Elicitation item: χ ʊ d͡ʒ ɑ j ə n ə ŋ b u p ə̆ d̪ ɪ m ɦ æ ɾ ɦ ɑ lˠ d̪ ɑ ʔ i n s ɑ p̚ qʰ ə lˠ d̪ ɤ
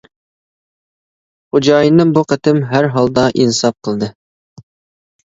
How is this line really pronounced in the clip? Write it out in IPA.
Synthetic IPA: χ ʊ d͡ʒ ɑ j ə n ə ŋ b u q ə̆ t̪ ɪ m ɦ æ ɾ ɦ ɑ lˠ d̪ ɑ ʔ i n s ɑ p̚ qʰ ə lˠ d̪ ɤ